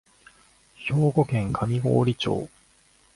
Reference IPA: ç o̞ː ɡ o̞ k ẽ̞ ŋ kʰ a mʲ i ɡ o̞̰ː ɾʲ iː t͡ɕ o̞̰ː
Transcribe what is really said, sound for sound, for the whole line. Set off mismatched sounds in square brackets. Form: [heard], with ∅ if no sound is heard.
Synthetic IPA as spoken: ç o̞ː ɡ o̞ k ẽ̞ ŋ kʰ a mʲ i ɡ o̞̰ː ɾʲ [i] t͡ɕ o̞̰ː